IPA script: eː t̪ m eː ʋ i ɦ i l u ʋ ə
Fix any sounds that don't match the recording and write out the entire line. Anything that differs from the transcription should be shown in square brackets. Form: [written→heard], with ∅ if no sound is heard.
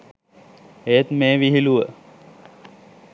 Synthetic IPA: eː t̪ m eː ʋ i ɦ i l u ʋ ə